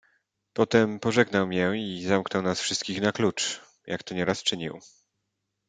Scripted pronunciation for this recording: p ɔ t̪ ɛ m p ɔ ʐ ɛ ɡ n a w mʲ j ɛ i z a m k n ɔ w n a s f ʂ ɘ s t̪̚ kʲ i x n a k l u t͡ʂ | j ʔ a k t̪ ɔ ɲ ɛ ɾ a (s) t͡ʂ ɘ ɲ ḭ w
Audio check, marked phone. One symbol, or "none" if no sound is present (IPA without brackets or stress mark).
s